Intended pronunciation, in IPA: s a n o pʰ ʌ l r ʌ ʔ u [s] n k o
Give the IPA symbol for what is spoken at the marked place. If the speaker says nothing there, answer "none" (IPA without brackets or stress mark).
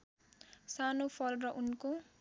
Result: none